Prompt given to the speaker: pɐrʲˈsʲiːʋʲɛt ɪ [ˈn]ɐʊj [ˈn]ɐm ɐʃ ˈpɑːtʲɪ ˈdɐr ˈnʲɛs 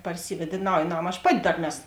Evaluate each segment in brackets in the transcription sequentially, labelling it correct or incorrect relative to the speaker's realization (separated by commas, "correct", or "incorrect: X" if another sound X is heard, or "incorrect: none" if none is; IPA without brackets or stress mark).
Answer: correct, correct